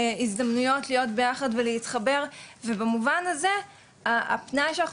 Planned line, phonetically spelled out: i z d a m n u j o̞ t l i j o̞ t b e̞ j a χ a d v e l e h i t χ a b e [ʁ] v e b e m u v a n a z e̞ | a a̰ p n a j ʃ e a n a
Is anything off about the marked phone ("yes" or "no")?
no